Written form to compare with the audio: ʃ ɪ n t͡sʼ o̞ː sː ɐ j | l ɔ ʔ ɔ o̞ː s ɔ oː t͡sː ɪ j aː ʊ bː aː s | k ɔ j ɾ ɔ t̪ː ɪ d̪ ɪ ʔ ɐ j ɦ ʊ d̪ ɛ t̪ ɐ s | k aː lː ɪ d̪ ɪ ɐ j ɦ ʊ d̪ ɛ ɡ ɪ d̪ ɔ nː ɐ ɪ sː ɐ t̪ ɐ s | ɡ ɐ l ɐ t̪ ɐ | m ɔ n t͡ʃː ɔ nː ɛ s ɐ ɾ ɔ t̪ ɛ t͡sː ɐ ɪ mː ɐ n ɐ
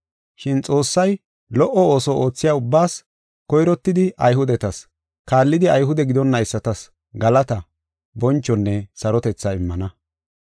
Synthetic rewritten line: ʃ ɪ n t͡sʼ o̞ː sː ɐ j | l ɔ ʔ ɔ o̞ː s ɔ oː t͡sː ɪ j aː ʊ bː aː s | k ɔ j ɾ ɔ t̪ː ɪ d̪ ɪ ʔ ɐ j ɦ ʊ d̪ ɛ t̪ ɐ s | k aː lː ɪ d̪ ɪ ɐ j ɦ ʊ d̪ ɛ ɡ ɪ d̪ ɔ nː ɐ ɪ sː ɐ t̪ ɐ s | ɡ ɐ l ɐ t̪ ɐ | b ɔ n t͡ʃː ɔ nː ɛ s ɐ ɾ ɔ t̪ ɛ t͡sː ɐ ɪ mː ɐ n ɐ